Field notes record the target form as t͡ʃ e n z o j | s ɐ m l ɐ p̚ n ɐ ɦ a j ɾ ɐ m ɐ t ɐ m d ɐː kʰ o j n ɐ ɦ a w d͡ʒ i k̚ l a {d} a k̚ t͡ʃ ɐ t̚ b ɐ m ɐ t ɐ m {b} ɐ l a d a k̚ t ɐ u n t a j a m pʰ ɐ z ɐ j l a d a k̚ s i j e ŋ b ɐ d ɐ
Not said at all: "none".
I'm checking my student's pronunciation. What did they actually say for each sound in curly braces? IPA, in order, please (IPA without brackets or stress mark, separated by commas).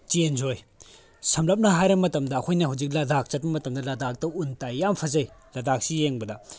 d, d